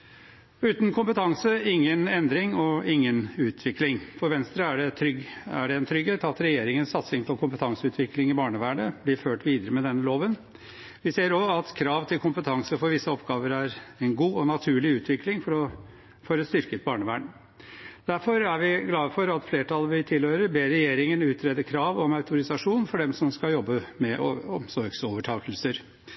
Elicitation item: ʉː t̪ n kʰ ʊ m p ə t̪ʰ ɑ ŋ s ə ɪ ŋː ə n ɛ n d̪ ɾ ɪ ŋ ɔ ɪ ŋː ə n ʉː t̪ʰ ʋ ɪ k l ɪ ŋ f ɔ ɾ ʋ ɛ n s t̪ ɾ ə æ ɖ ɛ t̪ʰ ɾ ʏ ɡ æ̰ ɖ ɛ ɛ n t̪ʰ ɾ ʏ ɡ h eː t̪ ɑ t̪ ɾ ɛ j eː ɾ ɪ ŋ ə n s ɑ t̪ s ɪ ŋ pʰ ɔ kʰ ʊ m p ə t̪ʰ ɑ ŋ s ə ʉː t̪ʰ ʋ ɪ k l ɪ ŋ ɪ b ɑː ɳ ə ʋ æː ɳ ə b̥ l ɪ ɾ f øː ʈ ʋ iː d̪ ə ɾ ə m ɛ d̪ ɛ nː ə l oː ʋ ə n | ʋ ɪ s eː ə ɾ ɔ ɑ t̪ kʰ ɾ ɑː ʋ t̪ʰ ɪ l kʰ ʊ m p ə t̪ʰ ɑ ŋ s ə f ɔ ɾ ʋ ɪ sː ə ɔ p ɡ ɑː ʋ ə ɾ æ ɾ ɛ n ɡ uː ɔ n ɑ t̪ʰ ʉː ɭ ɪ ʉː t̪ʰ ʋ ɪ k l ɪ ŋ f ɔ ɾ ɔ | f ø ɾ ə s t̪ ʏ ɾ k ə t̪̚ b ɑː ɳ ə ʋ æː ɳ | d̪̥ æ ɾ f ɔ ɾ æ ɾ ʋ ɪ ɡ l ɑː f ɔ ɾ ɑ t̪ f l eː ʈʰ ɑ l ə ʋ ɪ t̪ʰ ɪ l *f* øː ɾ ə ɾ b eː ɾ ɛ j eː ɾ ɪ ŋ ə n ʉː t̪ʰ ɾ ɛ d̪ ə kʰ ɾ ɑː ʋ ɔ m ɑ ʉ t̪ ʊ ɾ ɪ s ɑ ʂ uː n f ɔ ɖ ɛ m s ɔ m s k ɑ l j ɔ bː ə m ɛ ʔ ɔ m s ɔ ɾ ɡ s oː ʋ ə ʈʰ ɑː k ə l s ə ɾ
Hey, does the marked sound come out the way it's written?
no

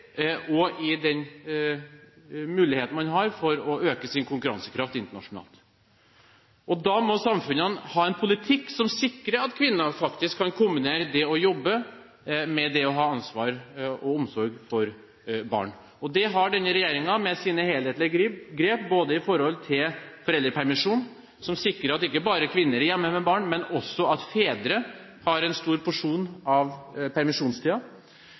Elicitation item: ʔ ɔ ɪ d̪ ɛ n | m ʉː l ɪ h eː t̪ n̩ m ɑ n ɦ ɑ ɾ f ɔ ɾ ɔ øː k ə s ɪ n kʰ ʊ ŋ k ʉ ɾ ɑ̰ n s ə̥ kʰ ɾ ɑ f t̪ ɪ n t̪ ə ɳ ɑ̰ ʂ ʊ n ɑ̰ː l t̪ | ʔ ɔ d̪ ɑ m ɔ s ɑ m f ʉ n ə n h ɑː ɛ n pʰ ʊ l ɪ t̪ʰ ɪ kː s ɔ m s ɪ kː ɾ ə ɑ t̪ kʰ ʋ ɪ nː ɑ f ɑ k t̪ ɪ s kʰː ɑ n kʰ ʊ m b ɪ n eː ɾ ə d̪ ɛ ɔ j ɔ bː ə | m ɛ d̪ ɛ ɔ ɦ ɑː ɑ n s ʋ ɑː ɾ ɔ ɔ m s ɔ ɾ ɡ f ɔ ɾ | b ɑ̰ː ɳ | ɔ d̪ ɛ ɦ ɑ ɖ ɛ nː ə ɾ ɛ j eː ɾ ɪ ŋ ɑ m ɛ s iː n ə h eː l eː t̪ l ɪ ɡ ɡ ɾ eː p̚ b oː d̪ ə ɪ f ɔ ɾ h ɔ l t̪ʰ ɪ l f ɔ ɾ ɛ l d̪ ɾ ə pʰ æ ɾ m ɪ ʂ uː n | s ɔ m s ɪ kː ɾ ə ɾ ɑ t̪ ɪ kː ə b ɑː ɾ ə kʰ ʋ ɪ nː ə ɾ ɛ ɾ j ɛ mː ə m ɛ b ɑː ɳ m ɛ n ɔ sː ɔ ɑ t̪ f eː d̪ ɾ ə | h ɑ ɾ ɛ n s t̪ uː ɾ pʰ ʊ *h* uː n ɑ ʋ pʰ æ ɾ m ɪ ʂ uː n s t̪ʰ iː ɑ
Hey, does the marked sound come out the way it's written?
no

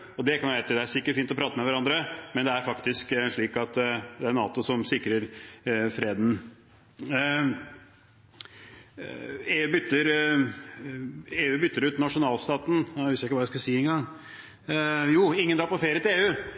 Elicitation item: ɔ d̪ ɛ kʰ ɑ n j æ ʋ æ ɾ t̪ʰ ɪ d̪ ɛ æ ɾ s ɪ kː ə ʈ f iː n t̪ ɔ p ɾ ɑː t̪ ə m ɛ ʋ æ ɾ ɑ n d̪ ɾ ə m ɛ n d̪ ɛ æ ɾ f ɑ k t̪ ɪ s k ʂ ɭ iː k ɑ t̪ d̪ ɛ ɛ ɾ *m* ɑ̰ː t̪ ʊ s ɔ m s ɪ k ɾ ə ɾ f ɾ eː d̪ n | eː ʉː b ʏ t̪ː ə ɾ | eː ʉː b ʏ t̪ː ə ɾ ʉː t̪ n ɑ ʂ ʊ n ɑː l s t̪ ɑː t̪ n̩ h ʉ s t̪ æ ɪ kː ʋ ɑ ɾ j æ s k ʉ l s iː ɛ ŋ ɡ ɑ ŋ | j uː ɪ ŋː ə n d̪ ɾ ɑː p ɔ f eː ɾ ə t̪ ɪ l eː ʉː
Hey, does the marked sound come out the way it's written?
no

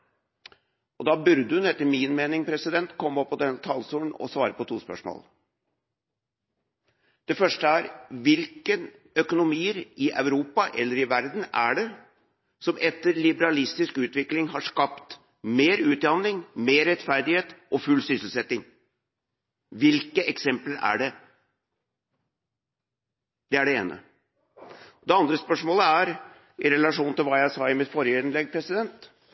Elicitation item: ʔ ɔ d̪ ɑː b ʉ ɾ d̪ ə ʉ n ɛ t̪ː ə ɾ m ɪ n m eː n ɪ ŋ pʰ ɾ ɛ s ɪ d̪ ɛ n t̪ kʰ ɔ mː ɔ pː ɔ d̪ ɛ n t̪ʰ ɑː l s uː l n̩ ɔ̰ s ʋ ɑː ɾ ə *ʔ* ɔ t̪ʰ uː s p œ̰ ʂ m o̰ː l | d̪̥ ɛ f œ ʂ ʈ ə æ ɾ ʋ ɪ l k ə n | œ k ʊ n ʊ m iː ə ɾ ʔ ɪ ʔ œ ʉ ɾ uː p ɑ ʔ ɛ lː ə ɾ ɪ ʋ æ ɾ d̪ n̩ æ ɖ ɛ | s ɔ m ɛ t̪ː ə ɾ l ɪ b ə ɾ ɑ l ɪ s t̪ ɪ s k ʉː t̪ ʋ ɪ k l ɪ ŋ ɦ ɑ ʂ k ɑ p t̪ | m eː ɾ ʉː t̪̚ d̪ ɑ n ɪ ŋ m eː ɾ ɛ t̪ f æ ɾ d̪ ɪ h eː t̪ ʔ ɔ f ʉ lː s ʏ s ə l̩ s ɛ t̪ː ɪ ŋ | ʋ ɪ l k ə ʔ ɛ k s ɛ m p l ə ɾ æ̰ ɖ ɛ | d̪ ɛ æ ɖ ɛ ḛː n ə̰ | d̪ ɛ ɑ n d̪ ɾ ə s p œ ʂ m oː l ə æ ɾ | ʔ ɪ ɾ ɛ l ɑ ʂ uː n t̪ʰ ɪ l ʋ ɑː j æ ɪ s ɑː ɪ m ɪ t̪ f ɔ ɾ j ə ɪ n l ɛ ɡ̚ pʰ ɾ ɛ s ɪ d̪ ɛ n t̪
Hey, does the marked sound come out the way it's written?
no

